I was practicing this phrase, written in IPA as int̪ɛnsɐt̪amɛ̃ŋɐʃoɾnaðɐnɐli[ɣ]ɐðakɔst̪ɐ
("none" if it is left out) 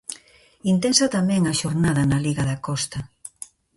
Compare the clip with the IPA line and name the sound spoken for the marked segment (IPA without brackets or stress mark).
ɣ